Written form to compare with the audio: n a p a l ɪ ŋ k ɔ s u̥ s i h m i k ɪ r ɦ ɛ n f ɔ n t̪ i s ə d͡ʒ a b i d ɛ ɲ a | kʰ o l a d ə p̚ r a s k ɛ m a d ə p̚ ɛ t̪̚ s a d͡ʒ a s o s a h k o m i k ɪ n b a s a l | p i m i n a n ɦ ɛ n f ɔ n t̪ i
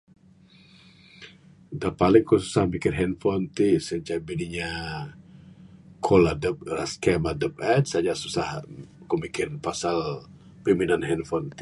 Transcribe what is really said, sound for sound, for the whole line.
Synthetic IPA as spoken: d a p a l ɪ ŋ k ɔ s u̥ s a h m i k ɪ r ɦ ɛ n f ɔ n t̪ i s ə d͡ʒ a b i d i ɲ a | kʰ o l a d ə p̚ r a s k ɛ m a d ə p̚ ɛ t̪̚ s a d͡ʒ a s u s a h k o m i k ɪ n p a s a l | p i m i n a n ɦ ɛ n f ɔ n t̪ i